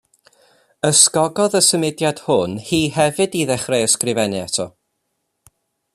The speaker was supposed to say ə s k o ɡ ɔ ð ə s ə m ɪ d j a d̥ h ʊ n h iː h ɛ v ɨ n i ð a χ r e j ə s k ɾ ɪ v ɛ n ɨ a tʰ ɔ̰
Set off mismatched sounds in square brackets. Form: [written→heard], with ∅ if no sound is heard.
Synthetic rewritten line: ə s k [o→ɔ] ɡ ɔ ð ə s ə m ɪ d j a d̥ h ʊ n h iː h ɛ v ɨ [n→d] i ð [a→ɛ] χ r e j ə s k [ɾ→r] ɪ v ɛ n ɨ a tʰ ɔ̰